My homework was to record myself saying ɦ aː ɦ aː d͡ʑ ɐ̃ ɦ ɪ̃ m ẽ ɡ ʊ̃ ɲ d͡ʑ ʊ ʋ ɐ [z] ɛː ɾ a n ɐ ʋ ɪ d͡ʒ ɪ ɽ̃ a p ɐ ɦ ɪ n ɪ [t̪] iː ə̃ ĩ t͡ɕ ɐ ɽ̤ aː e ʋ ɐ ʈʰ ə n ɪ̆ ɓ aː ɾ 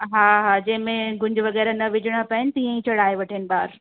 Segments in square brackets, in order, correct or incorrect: incorrect, correct

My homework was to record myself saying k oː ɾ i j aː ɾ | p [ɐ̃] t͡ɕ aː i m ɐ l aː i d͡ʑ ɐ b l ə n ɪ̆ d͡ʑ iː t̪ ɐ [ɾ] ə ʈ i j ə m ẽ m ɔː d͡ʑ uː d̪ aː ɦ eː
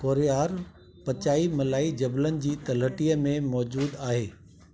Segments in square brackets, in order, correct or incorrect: incorrect, incorrect

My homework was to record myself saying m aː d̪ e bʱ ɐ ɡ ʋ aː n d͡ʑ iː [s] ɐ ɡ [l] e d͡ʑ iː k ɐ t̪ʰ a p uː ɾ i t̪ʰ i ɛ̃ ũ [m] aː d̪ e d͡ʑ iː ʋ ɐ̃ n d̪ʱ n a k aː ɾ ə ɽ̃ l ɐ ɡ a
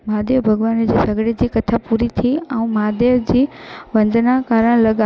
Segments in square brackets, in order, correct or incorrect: correct, incorrect, correct

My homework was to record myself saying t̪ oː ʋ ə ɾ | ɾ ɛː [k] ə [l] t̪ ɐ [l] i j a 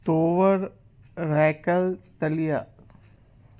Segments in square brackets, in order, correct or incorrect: correct, correct, correct

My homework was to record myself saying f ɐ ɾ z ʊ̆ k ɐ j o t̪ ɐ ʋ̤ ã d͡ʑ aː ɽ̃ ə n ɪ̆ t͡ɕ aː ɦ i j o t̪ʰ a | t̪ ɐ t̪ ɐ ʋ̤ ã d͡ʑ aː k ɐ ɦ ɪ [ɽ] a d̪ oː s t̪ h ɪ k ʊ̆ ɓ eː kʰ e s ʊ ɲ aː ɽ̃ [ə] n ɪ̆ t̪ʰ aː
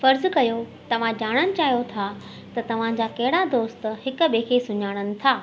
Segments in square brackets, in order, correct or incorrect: correct, correct

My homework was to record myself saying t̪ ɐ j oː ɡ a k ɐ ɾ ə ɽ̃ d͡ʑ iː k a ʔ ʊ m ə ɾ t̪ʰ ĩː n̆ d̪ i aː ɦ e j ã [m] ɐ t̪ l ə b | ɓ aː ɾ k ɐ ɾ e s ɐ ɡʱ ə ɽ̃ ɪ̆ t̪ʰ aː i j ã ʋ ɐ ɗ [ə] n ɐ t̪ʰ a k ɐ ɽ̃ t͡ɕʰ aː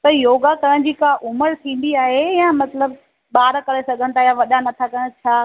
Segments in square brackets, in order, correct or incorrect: correct, incorrect

